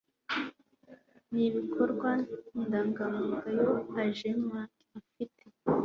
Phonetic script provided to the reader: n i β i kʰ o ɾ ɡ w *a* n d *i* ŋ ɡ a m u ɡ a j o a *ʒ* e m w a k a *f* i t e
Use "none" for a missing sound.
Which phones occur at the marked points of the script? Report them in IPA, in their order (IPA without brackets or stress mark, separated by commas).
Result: a, a, ʒ, f